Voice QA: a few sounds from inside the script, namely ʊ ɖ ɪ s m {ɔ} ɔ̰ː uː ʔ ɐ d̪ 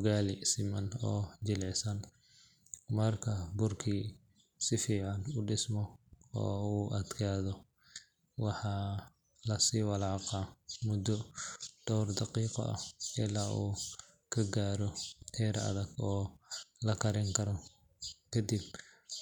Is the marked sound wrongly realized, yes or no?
no